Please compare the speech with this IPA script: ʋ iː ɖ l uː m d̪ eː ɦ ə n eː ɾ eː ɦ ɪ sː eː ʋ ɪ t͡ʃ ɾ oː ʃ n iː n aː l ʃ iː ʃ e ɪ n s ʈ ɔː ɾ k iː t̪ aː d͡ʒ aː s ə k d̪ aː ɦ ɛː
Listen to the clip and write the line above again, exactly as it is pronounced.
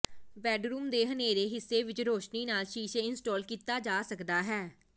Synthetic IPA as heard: ʋ ɛː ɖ ɾ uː m d̪ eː ɦ ə n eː ɾ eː ɦ ɪ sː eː ʋ ɪ t͡ʃ ɾ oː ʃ n iː n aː l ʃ iː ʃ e ɪ n s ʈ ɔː l k iː t̪ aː d͡ʒ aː s ə k d̪ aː ɦ ɛː